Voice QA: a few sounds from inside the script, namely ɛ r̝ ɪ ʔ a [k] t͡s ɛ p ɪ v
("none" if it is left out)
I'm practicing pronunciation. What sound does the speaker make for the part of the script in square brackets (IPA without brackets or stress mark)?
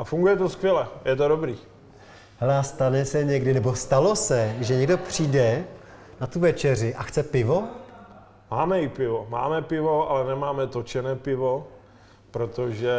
x